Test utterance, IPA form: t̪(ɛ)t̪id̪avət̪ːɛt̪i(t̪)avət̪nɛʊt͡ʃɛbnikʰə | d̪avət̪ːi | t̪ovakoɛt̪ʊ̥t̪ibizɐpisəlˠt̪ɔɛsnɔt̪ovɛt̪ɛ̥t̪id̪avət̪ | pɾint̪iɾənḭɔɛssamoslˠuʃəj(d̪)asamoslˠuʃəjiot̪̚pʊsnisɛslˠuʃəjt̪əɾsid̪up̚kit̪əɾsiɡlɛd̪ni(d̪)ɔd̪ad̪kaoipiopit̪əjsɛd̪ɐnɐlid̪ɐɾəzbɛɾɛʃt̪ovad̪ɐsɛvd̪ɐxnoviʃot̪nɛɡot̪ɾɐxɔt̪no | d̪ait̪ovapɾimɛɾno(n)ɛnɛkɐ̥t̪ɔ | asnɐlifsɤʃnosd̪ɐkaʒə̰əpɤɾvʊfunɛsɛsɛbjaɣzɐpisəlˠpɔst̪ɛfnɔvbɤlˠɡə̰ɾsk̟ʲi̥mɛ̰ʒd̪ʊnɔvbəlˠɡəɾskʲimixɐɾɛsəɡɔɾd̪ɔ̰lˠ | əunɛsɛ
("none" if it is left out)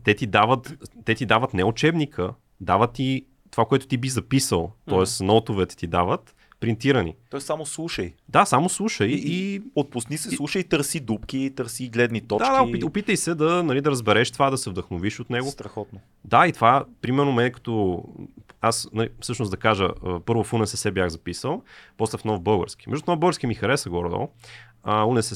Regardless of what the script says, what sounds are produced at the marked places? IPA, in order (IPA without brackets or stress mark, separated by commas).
ɛ, d̪, d̪, t̪, m